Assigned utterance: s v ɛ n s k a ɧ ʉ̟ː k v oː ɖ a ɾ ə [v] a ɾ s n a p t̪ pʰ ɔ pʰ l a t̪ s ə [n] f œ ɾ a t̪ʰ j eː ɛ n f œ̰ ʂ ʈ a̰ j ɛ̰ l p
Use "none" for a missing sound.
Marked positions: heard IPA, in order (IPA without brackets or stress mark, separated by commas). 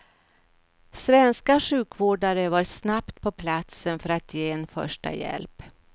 v, n